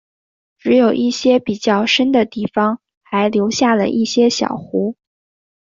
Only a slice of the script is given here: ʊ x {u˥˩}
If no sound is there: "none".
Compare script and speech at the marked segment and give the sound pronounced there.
u˧˥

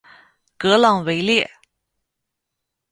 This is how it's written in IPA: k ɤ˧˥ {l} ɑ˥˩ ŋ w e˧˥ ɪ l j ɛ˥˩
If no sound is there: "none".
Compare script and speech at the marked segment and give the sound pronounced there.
l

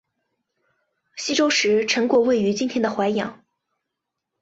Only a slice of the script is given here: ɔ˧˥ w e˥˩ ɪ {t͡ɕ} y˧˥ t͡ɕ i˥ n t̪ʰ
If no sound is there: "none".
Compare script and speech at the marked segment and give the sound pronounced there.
none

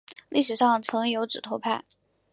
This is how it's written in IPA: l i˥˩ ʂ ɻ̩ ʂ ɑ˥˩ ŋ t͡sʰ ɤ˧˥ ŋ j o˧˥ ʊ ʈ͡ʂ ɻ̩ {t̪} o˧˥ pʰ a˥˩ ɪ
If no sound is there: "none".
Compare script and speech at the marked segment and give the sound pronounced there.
t̪ʰ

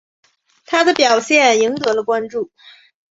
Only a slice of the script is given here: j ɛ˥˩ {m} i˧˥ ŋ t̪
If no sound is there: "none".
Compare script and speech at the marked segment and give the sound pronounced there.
n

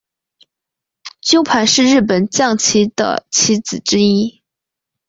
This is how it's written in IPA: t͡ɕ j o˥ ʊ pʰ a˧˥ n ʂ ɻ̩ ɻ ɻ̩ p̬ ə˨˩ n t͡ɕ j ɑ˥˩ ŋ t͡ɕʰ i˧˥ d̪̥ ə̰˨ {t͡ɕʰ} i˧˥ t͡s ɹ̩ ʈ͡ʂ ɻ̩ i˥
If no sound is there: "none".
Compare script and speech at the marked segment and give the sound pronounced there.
t͡ɕʰ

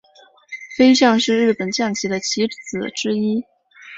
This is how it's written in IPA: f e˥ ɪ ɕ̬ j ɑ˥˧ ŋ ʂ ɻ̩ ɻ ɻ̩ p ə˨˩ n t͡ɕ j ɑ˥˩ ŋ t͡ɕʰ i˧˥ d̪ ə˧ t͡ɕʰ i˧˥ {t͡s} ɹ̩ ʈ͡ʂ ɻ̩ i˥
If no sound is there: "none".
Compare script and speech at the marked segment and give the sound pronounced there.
t͡s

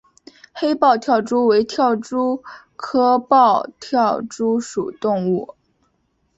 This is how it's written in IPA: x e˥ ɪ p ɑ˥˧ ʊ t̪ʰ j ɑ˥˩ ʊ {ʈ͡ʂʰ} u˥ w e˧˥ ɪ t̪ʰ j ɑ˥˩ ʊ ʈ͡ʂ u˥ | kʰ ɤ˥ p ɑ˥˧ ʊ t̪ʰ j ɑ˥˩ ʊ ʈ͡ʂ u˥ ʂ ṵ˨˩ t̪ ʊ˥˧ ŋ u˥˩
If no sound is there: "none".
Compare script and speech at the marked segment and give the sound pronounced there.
ʈ͡ʂ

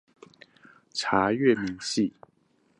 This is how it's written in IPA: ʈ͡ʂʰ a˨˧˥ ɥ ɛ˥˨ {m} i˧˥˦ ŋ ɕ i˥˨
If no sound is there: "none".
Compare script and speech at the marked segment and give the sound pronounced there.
m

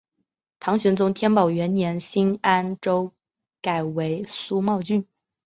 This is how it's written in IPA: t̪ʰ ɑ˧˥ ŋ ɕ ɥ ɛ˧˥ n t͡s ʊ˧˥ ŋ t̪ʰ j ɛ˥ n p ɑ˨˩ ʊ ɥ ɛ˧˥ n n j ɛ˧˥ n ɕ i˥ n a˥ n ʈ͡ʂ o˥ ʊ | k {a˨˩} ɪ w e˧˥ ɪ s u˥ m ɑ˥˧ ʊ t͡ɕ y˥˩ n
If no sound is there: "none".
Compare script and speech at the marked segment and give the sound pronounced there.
a˨˩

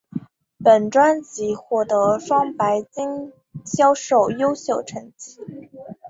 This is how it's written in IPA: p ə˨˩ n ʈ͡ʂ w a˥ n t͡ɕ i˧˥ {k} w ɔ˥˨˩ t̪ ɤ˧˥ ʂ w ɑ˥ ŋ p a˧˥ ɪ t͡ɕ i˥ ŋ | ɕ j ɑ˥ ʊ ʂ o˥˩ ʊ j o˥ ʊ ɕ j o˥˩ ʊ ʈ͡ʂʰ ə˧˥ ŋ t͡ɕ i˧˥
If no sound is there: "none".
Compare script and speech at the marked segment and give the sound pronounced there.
x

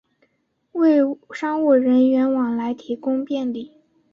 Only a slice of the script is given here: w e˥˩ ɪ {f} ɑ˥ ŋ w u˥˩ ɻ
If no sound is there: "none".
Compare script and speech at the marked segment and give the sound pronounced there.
ʂ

